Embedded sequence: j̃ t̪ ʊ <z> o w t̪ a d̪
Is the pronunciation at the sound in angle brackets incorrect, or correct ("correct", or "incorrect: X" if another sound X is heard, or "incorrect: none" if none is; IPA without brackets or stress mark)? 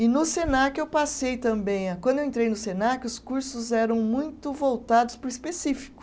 incorrect: v